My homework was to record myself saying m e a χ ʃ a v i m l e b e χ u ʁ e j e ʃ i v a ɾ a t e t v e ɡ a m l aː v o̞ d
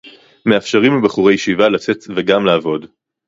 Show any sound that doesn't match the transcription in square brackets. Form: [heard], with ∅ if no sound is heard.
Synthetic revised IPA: m e a [f] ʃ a [ʁ] i m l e b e χ u ʁ e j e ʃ i v a [l] a [t͡s] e t v e ɡ a m l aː v o̞ d

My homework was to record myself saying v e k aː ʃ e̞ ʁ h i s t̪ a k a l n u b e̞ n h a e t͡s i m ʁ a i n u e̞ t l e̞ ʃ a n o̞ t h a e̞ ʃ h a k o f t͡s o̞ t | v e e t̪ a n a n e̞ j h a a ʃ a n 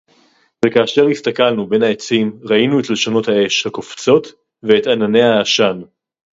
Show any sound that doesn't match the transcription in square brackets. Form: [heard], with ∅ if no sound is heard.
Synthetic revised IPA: v e k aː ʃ e̞ ʁ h i s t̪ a k a l n u b e̞ n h a e t͡s i m ʁ a i n u e̞ t l e̞ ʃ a n o̞ t h a e̞ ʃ h a k o f t͡s o̞ t | v e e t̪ a n a n e̞ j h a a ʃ a n

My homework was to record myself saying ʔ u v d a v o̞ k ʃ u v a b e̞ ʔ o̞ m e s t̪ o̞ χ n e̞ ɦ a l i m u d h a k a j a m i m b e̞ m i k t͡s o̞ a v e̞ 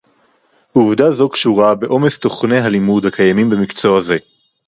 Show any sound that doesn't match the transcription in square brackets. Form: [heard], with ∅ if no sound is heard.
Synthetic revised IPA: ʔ u v d a [z] o̞ k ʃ u [ʁ] a b e̞ ʔ o̞ m e s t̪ o̞ χ n e̞ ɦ a l i m u d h a k a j a m i m b e̞ m i k t͡s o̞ a [z] e̞

